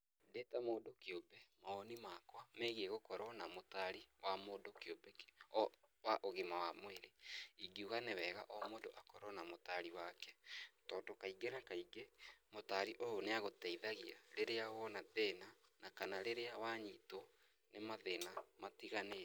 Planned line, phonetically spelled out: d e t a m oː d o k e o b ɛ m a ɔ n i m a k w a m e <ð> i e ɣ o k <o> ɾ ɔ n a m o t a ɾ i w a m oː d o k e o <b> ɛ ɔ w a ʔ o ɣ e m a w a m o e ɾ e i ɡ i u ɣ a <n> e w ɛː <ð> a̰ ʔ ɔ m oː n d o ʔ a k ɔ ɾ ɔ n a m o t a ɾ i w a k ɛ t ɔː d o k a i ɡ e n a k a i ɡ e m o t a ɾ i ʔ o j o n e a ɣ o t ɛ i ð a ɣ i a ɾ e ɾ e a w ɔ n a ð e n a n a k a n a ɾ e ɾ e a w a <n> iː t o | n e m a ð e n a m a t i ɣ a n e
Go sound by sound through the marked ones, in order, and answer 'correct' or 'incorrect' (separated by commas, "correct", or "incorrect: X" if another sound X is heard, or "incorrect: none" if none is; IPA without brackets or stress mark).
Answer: incorrect: ɣ, incorrect: ɔ, correct, correct, incorrect: ɣ, incorrect: ɲ